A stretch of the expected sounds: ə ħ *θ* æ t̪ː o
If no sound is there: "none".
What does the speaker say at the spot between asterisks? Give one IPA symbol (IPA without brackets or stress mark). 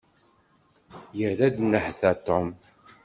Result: θ